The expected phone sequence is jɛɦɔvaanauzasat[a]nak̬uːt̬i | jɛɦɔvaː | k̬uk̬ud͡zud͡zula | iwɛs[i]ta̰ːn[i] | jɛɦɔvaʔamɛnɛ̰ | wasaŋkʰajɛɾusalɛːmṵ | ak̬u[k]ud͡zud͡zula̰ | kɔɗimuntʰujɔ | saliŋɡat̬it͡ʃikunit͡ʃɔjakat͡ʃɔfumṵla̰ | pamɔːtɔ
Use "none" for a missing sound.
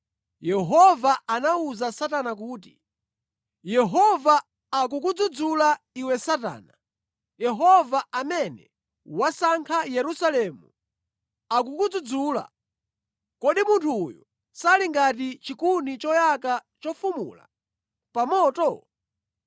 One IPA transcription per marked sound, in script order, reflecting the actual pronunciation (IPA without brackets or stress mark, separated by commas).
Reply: a, a, a, k